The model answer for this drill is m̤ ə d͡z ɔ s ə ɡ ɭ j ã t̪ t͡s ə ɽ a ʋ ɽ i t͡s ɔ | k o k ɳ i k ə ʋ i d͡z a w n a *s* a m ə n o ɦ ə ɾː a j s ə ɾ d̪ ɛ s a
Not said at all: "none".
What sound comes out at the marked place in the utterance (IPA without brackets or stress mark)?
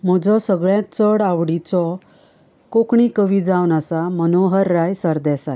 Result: s